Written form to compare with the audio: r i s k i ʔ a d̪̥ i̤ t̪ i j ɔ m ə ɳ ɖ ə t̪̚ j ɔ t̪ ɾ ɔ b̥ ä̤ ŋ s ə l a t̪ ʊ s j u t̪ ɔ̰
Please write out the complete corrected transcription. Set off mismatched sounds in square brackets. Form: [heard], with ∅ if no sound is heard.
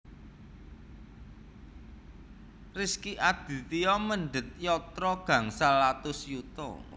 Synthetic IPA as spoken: r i s k i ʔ a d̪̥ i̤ t̪ i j ɔ m ə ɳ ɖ ə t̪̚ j ɔ t̪ ɾ ɔ [ɡ̥] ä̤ ŋ s [a] l a t̪ ʊ s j u t̪ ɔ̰